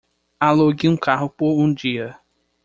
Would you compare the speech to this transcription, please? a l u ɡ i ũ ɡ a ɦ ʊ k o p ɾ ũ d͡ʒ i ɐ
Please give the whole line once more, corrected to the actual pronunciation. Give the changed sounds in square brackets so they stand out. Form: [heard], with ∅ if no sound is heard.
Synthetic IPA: a l [o] ɡ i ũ [k] a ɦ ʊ [p] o [∅] ɾ ũ d͡ʒ i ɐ